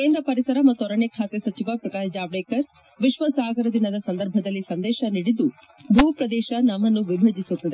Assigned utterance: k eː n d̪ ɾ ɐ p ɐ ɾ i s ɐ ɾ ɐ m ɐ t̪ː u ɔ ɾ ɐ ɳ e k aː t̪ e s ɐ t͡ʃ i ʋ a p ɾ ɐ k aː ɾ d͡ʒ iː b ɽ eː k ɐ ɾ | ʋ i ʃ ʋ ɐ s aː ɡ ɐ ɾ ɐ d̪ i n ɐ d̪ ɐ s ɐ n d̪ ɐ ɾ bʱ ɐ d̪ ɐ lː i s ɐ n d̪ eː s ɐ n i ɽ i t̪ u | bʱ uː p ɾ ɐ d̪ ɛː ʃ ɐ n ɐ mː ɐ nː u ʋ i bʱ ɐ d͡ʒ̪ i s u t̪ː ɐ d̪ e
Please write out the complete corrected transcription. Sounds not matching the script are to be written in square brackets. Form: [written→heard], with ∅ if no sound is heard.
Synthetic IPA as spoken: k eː n d̪ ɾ ɐ p ɐ ɾ i s ɐ ɾ ɐ m ɐ t̪ː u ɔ ɾ ɐ ɳ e [k→kʰ] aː t̪ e s ɐ t͡ʃ i ʋ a p ɾ ɐ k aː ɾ d͡ʒ [iː→aː] b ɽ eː k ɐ ɾ | ʋ i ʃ ʋ ɐ s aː ɡ ɐ ɾ ɐ d̪ i n ɐ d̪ ɐ s ɐ n d̪ ɐ ɾ bʱ ɐ d̪ ɐ lː i s ɐ n d̪ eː [s→ʃ] ɐ n i ɽ i [t̪→d̪] u | bʱ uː p ɾ ɐ d̪ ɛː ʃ ɐ n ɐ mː ɐ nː u ʋ i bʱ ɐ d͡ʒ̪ i s u t̪ː ɐ d̪ e